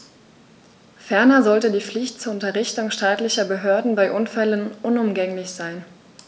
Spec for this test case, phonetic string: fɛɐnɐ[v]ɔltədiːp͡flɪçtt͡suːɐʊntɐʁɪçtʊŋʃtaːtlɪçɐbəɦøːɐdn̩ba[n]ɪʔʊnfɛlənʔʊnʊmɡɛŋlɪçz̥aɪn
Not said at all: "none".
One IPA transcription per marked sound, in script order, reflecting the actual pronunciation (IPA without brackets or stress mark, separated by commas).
z, none